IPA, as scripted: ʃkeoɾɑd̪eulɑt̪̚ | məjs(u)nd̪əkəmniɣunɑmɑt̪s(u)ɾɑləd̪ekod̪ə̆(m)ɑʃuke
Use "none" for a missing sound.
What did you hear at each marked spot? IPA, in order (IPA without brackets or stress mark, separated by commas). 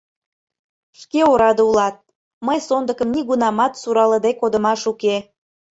o, u, m